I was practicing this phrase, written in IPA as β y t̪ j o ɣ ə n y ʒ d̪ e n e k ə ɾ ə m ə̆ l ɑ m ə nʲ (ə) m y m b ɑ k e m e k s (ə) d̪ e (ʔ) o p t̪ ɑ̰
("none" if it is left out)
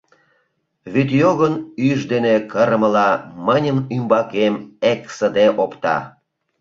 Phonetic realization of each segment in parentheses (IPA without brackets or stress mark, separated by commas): ə, ə, ʔ